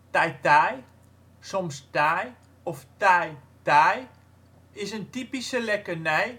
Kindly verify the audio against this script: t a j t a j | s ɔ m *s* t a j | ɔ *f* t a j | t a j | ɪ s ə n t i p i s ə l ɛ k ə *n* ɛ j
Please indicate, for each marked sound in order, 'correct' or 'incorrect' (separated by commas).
correct, correct, correct